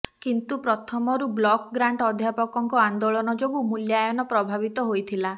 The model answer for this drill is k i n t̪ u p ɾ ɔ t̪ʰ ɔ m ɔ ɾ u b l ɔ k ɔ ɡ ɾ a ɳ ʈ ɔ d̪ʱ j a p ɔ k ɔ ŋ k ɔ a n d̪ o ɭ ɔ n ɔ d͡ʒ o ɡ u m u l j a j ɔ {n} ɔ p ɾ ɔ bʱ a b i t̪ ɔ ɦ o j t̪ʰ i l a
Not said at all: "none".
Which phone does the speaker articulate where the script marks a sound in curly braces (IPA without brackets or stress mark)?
n